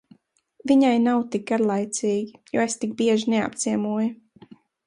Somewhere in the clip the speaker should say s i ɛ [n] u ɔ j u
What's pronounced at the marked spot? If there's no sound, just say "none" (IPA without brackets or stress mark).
m